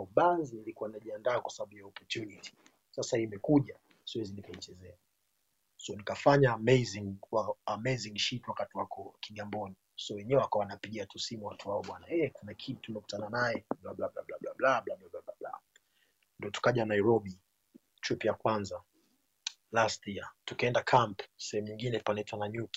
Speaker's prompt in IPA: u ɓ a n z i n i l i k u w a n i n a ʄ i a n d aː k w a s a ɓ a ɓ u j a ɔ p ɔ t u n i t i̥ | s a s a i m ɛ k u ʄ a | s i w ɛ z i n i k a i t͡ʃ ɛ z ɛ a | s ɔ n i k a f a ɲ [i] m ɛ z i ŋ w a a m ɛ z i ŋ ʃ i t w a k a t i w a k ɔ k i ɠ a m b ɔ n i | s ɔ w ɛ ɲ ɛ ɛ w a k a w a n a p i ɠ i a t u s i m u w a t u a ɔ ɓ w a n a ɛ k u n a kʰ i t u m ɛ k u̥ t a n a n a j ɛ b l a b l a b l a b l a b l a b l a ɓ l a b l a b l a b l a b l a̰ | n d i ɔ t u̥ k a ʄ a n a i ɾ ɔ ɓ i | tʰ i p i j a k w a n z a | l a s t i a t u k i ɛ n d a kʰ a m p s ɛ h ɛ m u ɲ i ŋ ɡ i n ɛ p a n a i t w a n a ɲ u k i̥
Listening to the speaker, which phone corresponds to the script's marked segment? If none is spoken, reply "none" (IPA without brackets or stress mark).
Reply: a